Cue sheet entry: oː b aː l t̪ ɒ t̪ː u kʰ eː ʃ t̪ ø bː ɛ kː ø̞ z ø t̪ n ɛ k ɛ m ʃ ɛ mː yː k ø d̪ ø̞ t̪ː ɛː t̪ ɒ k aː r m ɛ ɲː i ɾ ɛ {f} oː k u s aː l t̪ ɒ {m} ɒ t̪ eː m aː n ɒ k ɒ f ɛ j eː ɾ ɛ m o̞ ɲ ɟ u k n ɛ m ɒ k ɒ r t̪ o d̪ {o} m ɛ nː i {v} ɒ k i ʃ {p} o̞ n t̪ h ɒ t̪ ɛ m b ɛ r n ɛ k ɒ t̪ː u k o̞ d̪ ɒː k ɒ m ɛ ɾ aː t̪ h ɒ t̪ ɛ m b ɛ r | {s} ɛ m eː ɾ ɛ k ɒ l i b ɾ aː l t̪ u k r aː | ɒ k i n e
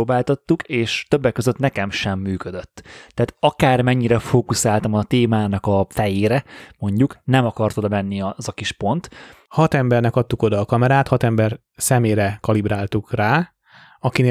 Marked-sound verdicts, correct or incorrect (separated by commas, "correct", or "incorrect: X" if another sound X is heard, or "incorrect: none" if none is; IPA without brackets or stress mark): correct, correct, incorrect: ɒ, incorrect: z, correct, correct